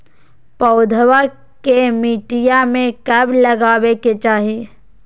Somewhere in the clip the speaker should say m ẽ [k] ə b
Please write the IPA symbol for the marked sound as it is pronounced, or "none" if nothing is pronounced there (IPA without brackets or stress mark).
k